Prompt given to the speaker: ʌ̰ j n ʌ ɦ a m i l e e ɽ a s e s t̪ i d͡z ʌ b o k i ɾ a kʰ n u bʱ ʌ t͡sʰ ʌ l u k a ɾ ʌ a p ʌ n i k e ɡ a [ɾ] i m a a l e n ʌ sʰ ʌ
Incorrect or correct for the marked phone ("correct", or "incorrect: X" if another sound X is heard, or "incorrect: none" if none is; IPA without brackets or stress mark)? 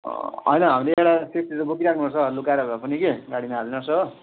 incorrect: ɽ